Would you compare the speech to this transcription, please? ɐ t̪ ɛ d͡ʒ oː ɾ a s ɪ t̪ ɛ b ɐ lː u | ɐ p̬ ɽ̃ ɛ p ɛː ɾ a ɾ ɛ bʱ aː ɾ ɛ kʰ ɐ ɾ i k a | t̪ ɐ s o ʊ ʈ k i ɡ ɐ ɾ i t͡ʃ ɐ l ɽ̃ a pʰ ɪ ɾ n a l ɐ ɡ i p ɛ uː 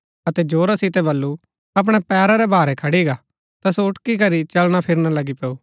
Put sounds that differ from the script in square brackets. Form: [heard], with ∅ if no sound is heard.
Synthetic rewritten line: ɐ t̪ ɛ d͡ʒ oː ɾ a s ɪ t̪ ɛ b ɐ lː u | ɐ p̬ ɽ̃ ɛ p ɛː ɾ a ɾ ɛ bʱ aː ɾ ɛ kʰ ɐ [ɽ] i [ɡ] a | t̪ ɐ s o ʊ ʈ k i [k] ɐ ɾ i t͡ʃ ɐ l ɽ̃ a pʰ ɪ ɾ n a l ɐ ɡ i p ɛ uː